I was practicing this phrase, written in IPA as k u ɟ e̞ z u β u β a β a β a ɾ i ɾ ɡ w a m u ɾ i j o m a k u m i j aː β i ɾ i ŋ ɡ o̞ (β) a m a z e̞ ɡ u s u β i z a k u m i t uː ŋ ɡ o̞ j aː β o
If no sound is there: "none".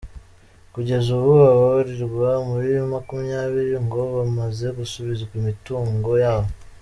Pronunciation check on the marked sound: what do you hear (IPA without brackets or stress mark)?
β